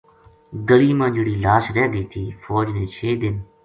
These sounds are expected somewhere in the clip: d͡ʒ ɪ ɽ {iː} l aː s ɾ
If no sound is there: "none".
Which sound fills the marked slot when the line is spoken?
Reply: iː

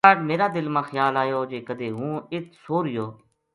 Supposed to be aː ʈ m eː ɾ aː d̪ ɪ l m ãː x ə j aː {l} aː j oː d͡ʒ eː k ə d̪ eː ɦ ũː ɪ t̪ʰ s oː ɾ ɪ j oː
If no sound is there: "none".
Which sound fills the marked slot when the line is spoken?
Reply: l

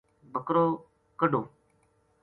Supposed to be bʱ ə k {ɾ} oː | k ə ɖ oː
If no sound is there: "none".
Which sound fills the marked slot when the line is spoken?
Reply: ɾ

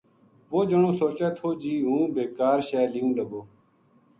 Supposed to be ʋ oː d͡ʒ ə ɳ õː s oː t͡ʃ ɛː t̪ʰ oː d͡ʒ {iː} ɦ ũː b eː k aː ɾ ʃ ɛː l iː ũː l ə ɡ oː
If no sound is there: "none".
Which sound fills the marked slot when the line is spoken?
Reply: iː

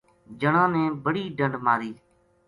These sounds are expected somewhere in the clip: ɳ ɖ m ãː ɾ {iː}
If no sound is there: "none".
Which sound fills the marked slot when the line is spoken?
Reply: iː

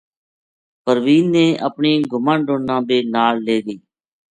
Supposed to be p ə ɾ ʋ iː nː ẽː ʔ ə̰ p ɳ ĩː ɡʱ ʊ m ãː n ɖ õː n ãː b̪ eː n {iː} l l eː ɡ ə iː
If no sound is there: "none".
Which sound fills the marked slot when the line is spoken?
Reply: aː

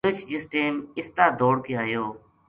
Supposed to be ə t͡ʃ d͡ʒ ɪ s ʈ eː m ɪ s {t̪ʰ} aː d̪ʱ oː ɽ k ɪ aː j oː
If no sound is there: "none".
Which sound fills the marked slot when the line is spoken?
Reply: t̪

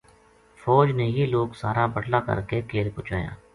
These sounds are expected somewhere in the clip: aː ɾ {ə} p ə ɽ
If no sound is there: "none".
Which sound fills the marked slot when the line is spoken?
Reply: a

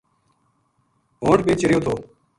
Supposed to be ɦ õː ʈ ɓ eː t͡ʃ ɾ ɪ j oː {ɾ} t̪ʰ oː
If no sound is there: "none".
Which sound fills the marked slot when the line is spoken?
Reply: none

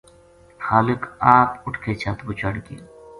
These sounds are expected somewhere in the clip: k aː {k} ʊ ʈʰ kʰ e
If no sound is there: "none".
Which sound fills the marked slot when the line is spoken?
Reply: p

